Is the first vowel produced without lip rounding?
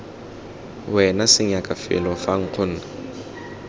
yes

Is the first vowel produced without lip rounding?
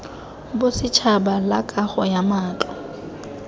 no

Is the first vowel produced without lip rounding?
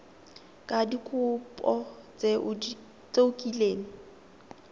yes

